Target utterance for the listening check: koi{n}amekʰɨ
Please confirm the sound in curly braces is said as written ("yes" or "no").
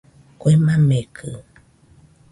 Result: no